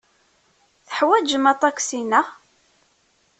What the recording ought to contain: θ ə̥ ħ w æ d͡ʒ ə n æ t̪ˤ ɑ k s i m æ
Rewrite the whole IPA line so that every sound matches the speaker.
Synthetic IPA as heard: θ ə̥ ħ w æ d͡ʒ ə m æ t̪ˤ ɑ k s i n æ